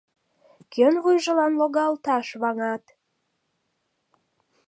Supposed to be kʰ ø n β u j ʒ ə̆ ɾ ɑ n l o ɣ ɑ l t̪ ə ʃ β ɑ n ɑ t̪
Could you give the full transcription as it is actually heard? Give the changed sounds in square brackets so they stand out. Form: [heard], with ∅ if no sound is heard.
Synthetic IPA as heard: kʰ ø n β u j ʒ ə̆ [l] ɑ n l o ɣ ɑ l t̪ [ɑ] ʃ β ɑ [ŋ] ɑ t̪